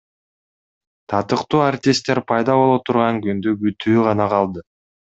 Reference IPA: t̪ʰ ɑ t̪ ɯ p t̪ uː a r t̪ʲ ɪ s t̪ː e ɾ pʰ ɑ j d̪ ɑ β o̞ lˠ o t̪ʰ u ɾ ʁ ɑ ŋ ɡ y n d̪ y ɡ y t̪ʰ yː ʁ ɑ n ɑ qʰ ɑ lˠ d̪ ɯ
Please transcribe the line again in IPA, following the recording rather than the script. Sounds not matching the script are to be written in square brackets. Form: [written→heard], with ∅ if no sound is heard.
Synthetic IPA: t̪ʰ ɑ t̪ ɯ [p→q] t̪ uː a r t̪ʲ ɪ s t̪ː e ɾ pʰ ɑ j d̪ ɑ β o̞ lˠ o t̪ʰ u ɾ ʁ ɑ ŋ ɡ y n d̪ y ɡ y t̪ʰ yː ʁ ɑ n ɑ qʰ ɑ lˠ d̪ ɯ